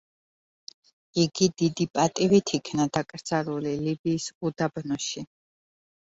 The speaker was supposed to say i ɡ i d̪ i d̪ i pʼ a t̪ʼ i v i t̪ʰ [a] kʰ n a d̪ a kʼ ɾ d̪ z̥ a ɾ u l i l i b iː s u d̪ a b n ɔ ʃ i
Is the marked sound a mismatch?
yes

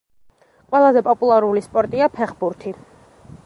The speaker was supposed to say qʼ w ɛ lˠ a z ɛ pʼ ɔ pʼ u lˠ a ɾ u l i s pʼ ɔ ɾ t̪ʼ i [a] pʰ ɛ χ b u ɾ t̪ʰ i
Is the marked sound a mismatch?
no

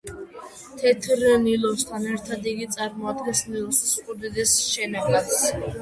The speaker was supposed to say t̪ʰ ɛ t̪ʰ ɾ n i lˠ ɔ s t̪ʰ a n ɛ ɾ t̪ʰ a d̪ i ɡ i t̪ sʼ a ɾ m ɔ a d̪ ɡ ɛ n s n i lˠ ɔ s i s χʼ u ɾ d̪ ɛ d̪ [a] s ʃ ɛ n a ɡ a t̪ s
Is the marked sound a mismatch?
yes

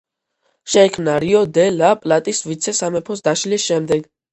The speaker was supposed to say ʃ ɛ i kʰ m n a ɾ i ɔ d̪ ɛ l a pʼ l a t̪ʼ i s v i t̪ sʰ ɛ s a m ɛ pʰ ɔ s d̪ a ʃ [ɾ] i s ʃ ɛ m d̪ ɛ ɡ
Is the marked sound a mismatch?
yes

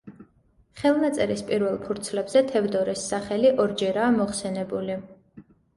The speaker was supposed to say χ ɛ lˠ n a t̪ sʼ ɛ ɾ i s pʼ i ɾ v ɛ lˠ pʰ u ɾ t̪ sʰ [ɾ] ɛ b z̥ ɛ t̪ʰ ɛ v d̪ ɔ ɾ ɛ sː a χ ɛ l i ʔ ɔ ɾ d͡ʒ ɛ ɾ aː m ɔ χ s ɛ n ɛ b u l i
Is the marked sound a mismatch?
yes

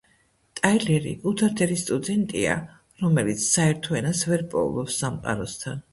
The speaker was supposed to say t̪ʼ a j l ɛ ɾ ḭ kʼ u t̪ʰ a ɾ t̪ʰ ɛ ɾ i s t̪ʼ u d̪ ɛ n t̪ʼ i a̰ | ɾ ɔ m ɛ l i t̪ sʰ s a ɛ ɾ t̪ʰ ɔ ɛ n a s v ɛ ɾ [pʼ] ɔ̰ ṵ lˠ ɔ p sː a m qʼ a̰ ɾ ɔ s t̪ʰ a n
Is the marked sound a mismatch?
no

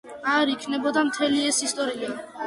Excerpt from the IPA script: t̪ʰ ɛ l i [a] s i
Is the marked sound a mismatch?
yes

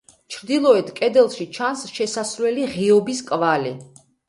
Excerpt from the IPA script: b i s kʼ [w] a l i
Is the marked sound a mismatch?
yes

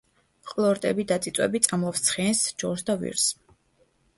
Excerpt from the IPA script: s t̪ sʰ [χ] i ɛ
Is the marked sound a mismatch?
no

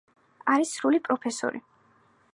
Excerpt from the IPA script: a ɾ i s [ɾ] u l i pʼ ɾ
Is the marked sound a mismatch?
no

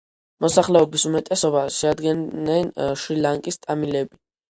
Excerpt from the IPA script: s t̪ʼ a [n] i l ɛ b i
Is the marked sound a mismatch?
yes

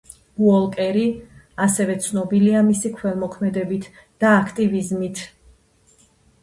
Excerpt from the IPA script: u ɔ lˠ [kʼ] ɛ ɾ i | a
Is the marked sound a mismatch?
no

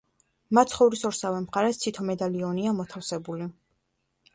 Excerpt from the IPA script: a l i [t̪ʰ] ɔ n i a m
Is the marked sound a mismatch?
yes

